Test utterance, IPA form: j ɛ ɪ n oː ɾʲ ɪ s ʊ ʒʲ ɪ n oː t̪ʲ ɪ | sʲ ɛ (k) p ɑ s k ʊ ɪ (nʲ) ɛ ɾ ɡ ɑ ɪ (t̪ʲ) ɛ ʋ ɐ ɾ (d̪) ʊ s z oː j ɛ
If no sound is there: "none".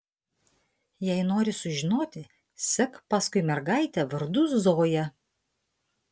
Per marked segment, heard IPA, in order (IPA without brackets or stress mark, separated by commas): k, mʲ, t̪ʲ, d̪